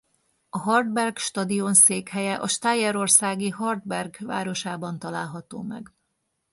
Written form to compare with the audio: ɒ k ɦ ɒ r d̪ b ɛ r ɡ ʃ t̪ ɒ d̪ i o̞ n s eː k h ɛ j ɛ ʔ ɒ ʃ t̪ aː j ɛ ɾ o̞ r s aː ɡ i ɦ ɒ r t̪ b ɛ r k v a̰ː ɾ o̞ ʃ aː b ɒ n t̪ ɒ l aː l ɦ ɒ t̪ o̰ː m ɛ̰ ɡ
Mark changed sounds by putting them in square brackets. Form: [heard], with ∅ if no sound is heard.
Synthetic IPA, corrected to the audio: ɒ [∅] ɦ ɒ r d̪ b ɛ r ɡ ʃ t̪ ɒ d̪ i o̞ n s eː k h ɛ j ɛ ʔ ɒ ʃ t̪ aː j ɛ ɾ o̞ r s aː ɡ i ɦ ɒ r [d̪] b ɛ r [ɡ] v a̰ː ɾ o̞ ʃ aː b ɒ n t̪ ɒ l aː l ɦ ɒ t̪ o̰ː m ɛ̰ ɡ